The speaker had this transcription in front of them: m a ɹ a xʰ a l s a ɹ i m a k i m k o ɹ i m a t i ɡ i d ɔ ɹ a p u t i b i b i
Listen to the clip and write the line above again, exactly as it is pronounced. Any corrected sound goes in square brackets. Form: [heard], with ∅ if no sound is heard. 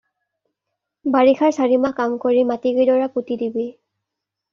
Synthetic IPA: [b] a ɹ [i] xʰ a [ɹ] s a ɹ i m a k [a] m k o ɹ i m a t i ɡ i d ɔ ɹ a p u t i [d] i b i